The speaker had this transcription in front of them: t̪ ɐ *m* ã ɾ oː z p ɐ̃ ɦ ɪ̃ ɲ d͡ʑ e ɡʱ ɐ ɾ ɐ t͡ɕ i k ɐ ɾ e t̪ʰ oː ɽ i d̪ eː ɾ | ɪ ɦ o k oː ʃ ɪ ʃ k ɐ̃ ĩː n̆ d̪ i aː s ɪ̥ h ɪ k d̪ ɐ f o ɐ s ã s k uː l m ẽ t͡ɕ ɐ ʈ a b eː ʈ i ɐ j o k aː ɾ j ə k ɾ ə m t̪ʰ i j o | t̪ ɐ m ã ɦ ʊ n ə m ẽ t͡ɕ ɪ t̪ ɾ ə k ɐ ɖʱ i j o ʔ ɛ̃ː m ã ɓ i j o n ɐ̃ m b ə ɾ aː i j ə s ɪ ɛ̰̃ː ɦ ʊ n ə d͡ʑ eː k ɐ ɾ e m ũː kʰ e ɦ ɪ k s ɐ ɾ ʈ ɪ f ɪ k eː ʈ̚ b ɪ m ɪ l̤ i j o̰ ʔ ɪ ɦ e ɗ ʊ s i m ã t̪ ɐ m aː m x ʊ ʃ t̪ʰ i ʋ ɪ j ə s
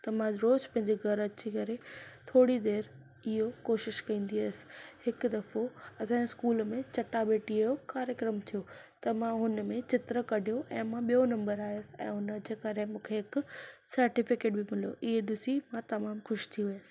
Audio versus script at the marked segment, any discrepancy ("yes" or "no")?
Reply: no